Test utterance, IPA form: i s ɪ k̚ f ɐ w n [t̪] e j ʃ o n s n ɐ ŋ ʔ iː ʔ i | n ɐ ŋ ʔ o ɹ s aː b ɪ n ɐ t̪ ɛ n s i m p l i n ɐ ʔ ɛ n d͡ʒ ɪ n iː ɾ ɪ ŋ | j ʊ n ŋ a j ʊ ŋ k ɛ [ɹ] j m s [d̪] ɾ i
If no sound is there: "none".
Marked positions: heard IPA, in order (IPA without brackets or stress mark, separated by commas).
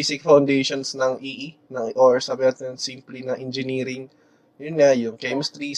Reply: d̪, none, t̪